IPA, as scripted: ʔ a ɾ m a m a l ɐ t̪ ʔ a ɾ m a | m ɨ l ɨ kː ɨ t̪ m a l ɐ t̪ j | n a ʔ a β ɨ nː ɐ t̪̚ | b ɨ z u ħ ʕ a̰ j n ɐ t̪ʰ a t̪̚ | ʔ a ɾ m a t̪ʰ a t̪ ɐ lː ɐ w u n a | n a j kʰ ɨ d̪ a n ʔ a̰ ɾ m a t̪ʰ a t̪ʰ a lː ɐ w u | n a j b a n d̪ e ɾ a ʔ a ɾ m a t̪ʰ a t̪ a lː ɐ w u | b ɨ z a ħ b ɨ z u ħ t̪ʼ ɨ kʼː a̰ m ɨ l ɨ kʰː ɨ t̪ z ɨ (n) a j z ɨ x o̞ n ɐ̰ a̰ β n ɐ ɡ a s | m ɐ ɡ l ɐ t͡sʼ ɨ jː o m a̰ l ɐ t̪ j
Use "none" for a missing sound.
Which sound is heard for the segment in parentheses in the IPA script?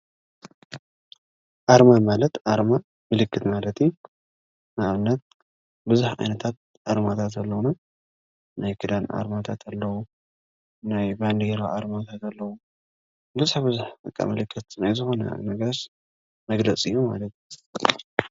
n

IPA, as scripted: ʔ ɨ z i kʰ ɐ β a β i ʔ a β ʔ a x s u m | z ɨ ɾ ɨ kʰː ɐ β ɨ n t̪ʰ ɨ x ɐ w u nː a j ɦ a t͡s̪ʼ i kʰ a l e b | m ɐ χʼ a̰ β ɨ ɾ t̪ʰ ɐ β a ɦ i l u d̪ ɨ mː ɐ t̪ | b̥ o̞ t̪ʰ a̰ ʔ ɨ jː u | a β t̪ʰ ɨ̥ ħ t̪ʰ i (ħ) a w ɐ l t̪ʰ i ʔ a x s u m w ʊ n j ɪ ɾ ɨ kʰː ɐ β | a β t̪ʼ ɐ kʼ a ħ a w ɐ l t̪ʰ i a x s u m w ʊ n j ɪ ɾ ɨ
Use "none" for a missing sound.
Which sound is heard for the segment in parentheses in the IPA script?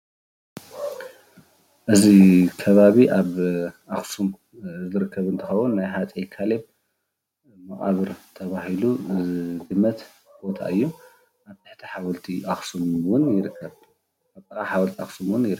ħ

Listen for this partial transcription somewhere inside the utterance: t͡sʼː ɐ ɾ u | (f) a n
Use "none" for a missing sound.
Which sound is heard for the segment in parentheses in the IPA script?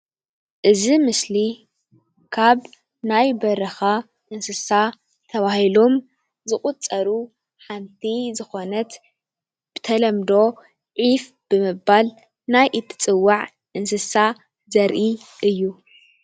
ħ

